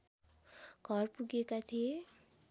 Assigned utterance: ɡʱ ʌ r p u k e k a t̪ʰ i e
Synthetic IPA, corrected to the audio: ɡʱ ʌ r p u ɡ e k a t̪ʰ i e

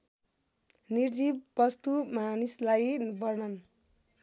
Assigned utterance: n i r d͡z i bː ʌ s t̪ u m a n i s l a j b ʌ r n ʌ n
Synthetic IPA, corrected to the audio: n i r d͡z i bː ʌ s t̪ u m a n i s l a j b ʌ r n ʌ n

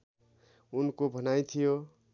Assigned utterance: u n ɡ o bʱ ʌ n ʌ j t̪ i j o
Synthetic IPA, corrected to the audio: u n k o bʱ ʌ n a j t̪ʰ i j o

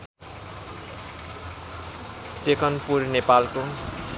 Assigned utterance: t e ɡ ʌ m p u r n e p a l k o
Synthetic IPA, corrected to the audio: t e k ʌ n p u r n e p a l k o

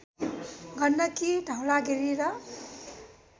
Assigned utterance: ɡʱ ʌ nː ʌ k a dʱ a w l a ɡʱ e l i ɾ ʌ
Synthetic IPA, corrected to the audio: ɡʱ ʌ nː ʌ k i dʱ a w l a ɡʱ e ɾ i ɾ ʌ

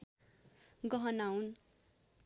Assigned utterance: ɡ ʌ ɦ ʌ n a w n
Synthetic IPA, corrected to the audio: ɡ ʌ ɦ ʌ n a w n

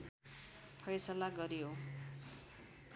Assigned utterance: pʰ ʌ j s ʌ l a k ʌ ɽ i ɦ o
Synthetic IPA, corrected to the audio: pʰ ʌ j s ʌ l a ɡ ʌ ɾ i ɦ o

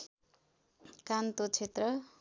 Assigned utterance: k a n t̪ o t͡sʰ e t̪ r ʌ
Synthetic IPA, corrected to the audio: k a n t̪ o t͡sʰ e t̪ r ʌ

